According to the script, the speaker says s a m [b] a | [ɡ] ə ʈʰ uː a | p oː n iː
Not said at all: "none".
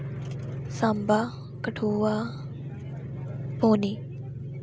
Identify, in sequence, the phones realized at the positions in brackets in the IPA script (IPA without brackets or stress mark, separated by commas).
b, k